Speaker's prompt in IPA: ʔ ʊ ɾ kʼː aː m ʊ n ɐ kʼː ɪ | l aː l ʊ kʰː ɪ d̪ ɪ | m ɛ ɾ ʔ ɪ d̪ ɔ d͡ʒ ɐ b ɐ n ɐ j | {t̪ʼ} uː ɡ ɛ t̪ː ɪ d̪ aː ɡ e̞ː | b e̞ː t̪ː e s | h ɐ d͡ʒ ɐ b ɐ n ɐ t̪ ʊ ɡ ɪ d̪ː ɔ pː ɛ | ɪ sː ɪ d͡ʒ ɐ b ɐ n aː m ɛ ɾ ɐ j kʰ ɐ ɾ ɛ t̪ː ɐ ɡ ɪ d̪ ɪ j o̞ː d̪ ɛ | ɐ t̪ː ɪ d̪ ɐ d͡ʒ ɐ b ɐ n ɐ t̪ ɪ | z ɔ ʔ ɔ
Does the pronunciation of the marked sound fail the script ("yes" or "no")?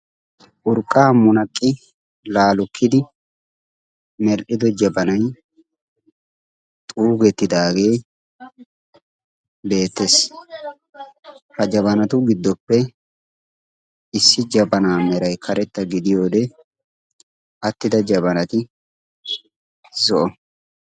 no